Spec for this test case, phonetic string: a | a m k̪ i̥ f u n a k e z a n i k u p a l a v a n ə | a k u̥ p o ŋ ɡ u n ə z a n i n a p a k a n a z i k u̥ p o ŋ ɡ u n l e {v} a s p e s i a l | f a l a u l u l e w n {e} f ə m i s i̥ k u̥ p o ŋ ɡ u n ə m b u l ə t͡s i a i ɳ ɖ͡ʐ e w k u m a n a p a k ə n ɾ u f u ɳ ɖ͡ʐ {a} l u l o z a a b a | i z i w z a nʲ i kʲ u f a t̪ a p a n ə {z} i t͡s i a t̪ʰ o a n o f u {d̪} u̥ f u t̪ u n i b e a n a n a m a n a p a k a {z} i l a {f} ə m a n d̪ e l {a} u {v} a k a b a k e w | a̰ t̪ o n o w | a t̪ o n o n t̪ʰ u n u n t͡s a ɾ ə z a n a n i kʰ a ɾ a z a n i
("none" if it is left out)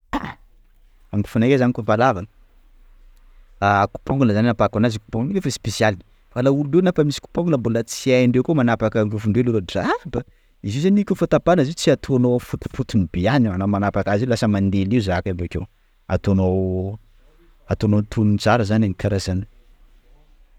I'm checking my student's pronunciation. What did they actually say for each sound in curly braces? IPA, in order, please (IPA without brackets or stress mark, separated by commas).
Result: f, a, e, z, t̪, z, s, i, z